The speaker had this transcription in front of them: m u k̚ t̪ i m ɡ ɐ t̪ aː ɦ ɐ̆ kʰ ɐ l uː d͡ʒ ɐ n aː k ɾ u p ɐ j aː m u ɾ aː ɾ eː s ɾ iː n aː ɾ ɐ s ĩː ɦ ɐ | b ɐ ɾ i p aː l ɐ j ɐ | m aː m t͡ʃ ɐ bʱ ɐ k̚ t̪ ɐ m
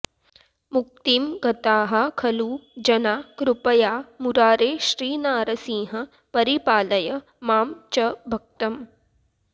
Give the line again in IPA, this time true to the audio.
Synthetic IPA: m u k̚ t̪ i m ɡ ɐ t̪ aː ɦ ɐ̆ kʰ ɐ l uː d͡ʒ ɐ n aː k ɾ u p ɐ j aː m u ɾ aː ɾ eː ʃ ɾ iː n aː ɾ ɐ s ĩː ɦ ɐ | p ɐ ɾ i p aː l ɐ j ɐ | m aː m t͡ʃ ɐ bʱ ɐ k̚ t̪ ɐ m